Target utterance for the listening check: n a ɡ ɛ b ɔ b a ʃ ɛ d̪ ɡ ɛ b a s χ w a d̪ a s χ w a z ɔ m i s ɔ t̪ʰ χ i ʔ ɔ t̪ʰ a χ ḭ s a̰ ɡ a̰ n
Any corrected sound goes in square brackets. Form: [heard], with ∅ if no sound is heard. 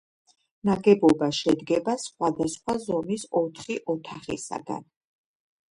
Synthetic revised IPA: n a ɡ ɛ b ɔ b a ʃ ɛ d̪ ɡ ɛ b a s χ w a d̪ a s χ w a z ɔ m i s ɔ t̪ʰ χ i ʔ ɔ t̪ʰ a χ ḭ s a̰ ɡ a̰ n